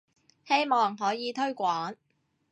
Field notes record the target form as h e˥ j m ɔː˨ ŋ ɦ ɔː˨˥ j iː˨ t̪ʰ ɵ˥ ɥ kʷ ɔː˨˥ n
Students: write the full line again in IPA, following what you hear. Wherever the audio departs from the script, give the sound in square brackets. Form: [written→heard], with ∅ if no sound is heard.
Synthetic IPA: h e˥ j m ɔː˨ ŋ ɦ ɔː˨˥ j iː˨ t̪ʰ ɵ˥ ɥ kʷ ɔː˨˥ n